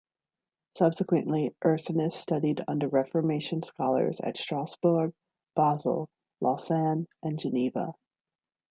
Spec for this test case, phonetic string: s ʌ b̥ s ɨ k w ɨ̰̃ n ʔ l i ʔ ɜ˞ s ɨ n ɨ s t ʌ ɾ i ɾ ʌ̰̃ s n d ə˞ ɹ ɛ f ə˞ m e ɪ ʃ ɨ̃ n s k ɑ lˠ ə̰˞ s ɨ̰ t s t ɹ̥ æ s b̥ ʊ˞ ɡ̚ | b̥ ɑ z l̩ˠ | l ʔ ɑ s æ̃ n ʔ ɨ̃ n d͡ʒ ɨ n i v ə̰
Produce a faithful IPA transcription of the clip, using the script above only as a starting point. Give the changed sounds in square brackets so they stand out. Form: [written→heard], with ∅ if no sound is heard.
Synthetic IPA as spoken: s ʌ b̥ s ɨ k w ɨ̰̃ n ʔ l i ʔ ɜ˞ s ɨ n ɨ s t ʌ ɾ i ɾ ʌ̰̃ [s→∅] n d ə˞ ɹ ɛ f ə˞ m e ɪ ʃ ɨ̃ n s k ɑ lˠ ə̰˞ [s→z] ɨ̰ t s t ɹ̥ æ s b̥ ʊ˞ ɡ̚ | b̥ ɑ z l̩ˠ | l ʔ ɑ s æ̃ n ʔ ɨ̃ n d͡ʒ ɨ n i v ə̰

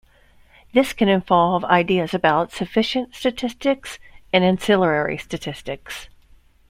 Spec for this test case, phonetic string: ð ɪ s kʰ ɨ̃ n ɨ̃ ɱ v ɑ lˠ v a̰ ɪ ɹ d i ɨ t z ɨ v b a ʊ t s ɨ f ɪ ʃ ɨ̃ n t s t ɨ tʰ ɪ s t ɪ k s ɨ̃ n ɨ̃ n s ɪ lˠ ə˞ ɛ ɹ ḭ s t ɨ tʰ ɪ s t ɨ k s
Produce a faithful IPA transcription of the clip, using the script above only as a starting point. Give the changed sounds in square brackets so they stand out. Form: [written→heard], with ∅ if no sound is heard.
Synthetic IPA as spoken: ð ɪ s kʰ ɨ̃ n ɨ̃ ɱ v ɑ lˠ v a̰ ɪ [ɹ→∅] d i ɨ [t→∅] z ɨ [v→∅] b a ʊ t s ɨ f ɪ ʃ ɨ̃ n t s t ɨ tʰ ɪ s t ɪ k s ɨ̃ n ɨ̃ n s ɪ lˠ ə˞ ɛ ɹ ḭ s t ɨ tʰ ɪ s t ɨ k s

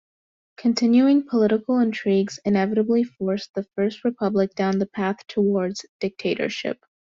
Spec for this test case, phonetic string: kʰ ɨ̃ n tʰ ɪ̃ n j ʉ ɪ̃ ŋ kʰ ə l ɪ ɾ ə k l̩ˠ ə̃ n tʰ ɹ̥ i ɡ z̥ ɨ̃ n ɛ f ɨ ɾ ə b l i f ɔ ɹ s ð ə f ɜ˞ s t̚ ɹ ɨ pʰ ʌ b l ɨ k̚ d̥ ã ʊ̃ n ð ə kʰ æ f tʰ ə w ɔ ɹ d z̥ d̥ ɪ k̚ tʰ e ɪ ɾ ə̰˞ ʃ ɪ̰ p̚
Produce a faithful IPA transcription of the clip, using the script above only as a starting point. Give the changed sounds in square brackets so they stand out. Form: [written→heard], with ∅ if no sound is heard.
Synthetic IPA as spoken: kʰ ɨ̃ n tʰ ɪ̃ n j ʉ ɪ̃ ŋ [kʰ→pʰ] ə l ɪ ɾ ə k l̩ˠ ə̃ n tʰ ɹ̥ i ɡ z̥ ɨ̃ n ɛ [f→v] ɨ ɾ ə b l i f ɔ ɹ s ð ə f ɜ˞ s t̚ ɹ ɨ pʰ ʌ b l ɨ k̚ d̥ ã ʊ̃ n ð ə [kʰ→pʰ] æ [f→θ] tʰ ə w ɔ ɹ d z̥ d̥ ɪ k̚ tʰ e ɪ ɾ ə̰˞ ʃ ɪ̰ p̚

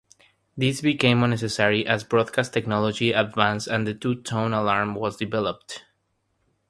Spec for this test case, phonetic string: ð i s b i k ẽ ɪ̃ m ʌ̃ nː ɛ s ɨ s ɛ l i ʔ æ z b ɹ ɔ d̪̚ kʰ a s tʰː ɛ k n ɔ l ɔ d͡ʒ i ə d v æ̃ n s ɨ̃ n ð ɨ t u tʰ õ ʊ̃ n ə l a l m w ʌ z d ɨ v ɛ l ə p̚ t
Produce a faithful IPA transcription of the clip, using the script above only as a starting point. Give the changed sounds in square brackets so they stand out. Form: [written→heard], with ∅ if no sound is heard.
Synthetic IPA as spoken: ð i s b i k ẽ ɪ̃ m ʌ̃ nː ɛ s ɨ s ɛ [l→ɹ] i ʔ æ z b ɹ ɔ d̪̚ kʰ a s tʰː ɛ k n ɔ l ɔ d͡ʒ i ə d v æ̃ n s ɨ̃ n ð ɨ t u tʰ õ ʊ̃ n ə l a [l→ɹ] m w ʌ z d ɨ v ɛ l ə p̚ t

